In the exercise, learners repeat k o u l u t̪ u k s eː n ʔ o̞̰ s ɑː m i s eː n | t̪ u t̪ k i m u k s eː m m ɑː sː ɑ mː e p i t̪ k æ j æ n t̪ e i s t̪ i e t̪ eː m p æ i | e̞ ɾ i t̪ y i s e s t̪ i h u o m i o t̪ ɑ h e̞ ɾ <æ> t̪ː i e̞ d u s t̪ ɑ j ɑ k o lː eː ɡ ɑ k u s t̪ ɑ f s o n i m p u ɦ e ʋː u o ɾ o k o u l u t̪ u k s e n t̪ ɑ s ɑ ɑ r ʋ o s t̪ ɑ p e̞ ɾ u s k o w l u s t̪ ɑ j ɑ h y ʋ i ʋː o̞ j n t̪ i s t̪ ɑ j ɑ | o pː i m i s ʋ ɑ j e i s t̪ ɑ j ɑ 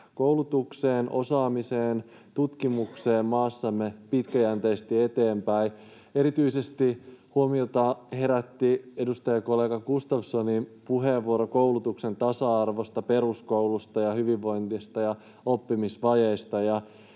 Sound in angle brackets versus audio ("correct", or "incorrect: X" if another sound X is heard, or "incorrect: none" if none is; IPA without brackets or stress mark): correct